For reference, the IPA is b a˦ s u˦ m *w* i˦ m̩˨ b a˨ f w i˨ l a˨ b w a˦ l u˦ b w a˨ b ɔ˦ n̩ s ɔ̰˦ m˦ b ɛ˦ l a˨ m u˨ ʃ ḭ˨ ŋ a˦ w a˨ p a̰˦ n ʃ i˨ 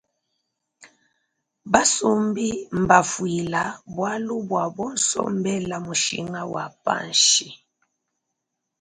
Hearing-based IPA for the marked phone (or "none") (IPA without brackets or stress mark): b